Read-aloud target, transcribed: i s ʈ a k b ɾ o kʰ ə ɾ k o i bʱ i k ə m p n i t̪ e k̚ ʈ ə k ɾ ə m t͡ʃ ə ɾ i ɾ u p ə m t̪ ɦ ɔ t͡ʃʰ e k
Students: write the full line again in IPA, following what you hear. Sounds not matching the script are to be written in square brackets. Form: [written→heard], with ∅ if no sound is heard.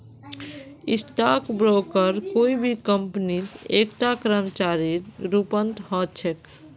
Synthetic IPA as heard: i s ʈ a k b ɾ o [kʰ→k] ə ɾ k o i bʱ i k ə m p n i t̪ e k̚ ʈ [ə→a] k ɾ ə m t͡ʃ [ə→a] ɾ i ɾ u p ə [m→n] t̪ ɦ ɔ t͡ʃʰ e k